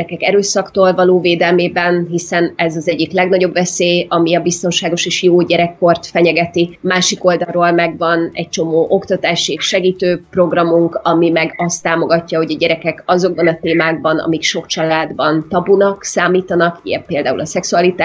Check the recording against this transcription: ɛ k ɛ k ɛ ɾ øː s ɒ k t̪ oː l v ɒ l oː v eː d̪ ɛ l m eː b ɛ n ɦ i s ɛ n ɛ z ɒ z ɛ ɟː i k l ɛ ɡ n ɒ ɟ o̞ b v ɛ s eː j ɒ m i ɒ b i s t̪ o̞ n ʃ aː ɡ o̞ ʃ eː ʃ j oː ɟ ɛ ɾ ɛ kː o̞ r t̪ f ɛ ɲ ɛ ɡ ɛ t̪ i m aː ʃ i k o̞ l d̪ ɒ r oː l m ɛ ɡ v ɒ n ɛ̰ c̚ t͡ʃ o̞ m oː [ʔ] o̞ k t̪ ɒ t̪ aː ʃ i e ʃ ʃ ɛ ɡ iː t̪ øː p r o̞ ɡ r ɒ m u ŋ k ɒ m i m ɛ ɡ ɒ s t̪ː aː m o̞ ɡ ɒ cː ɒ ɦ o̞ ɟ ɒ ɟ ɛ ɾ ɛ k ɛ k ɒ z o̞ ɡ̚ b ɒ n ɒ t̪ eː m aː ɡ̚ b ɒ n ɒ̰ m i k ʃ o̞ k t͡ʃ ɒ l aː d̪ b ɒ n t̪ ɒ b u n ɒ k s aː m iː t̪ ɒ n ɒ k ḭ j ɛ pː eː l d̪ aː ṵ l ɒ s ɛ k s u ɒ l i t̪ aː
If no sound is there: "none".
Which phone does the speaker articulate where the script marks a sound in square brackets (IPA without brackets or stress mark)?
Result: ʔ